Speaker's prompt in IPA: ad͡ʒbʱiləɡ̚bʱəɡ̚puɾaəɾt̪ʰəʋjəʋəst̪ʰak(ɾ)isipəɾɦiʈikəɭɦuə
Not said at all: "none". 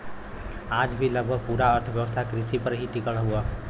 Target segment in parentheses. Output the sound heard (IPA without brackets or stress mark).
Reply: ɾ